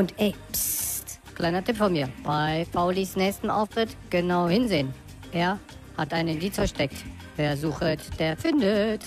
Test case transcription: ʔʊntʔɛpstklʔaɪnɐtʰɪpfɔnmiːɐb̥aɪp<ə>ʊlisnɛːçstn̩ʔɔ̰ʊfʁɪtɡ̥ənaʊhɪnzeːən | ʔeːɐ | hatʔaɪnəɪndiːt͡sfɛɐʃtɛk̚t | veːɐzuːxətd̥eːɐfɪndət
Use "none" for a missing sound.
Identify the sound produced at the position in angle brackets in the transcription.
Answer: a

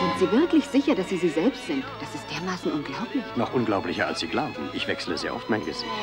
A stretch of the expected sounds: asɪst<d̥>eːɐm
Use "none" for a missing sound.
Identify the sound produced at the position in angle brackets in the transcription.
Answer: d̥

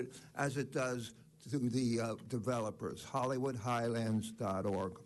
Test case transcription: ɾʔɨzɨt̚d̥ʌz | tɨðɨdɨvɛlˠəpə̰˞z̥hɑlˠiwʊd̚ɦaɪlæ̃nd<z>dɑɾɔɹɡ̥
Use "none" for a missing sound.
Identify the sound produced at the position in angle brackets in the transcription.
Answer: z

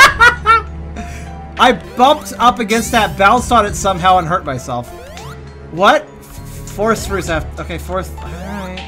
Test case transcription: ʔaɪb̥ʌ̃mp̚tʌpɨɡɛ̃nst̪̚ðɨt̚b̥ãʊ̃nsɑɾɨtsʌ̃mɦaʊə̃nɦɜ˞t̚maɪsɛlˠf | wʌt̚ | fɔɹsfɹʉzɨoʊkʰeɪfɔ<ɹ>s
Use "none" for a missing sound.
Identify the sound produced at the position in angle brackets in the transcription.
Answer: ɹ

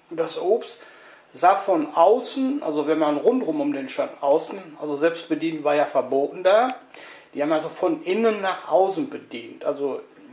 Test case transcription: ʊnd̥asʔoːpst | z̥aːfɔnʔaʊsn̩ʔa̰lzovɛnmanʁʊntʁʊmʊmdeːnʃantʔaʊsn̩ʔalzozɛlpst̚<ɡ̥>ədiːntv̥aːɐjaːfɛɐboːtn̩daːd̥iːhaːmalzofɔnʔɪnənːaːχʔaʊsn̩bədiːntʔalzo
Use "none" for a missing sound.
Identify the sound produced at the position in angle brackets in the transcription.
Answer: b̥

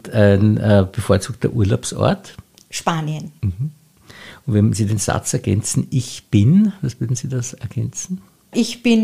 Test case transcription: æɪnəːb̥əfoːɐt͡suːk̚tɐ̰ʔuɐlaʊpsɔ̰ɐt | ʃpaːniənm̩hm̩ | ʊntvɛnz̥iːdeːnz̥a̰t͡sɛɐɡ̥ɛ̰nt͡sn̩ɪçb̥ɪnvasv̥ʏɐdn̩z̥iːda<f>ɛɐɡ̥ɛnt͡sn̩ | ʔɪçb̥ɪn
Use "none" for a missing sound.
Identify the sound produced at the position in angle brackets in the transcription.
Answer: s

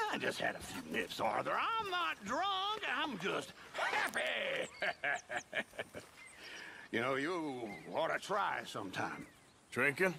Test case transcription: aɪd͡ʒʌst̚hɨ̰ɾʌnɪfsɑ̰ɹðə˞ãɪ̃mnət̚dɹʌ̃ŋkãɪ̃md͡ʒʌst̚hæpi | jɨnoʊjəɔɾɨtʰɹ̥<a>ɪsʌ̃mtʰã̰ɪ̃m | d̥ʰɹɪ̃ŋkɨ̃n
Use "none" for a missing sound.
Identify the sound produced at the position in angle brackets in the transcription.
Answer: a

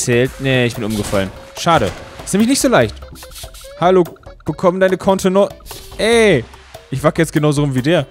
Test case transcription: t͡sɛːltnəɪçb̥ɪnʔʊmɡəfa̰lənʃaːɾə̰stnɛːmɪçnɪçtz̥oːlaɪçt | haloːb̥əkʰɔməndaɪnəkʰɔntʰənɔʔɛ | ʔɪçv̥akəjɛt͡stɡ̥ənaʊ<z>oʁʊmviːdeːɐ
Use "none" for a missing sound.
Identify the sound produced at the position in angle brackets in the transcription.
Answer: z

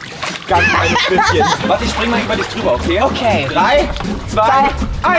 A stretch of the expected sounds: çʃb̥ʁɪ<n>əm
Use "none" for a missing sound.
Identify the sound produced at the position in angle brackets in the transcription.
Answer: ŋ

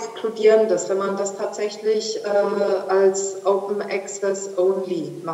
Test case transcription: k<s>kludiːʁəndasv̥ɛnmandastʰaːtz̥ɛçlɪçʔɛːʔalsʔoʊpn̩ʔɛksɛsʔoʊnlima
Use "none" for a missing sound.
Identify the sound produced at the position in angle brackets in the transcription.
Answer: s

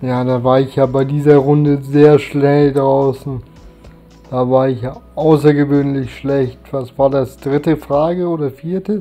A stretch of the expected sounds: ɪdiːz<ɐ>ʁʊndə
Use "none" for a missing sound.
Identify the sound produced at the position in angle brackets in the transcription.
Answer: ɐ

